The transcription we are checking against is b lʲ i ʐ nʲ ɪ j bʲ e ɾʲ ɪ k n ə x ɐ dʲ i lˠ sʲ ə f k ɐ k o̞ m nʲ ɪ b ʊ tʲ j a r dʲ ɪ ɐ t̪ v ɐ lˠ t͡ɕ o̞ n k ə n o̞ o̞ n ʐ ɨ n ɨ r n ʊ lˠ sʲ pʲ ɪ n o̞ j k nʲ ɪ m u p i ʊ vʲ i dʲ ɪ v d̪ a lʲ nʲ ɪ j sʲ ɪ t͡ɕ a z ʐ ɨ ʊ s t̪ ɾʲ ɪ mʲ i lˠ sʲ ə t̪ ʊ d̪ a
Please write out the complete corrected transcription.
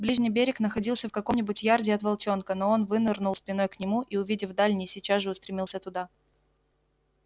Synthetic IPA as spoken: b lʲ i ʐ nʲ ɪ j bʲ e ɾʲ ɪ k n ə x ɐ dʲ i lˠ sʲ ə f k ɐ k o̞ m nʲ ɪ b ʊ tʲ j a r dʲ ɪ ɐ t̪ v ɐ lˠ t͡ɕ o̞ n k ə n o̞ o̞ n v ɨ n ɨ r n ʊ lˠ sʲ pʲ ɪ n o̞ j k nʲ ɪ m u ʔ i ʊ vʲ i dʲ ɪ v d̪ a lʲ nʲ ɪ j sʲ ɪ t͡ɕ a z ʐ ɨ ʊ s t̪ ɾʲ ɪ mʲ i lˠ sʲ ə t̪ ʊ d̪ a